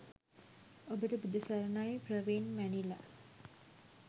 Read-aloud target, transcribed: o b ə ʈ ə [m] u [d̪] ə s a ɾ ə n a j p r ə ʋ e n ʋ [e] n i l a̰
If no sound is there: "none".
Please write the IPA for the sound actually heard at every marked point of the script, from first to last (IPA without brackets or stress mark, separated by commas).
b, d̪, æ